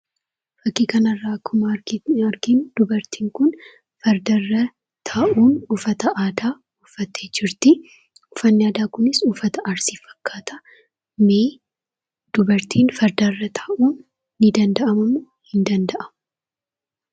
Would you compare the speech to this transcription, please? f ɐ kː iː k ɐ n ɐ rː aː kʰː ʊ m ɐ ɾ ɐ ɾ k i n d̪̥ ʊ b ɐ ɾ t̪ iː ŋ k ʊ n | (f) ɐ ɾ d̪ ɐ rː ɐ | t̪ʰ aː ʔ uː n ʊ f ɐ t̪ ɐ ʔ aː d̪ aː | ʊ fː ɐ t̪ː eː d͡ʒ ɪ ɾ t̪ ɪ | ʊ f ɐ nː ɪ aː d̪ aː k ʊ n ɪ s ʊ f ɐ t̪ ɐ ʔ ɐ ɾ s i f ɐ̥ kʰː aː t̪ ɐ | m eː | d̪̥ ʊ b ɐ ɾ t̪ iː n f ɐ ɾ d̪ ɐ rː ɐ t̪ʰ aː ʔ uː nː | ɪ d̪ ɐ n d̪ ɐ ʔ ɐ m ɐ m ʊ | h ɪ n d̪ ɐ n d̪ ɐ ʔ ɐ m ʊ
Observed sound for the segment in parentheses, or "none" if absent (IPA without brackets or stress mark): f